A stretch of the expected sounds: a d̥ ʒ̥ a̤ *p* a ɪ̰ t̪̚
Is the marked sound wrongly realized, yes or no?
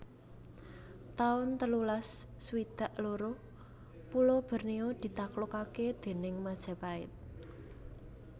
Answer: no